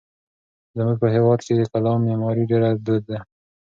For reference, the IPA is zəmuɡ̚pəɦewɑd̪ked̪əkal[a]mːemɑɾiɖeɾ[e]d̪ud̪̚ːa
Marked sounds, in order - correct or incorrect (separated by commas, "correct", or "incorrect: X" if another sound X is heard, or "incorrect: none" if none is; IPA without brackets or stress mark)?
incorrect: ɑ, incorrect: a